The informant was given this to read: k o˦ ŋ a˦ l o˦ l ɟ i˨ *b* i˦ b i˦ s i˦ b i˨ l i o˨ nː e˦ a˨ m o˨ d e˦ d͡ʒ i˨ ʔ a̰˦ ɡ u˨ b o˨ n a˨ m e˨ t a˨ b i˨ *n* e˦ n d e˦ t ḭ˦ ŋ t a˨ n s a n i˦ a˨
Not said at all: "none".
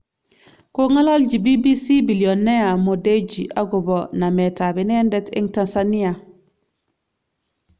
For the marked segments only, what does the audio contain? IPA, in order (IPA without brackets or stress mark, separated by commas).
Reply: b, n